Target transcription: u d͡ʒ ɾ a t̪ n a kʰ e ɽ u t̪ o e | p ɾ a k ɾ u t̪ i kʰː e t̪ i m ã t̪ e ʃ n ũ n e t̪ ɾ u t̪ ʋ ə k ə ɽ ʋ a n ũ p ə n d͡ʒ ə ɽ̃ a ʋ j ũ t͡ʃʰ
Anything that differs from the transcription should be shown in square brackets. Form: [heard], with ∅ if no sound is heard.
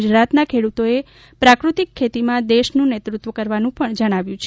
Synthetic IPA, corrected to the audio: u d͡ʒ ɾ a t̪ n a kʰ e ɽ u t̪ o e | p ɾ a k ɾ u t̪ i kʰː e t̪ i m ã [d̪] e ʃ n ũ n e t̪ ɾ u t̪ ʋ ə k ə [ɾ] ʋ a n ũ p ə [ɳ] d͡ʒ ə ɽ̃ a ʋ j ũ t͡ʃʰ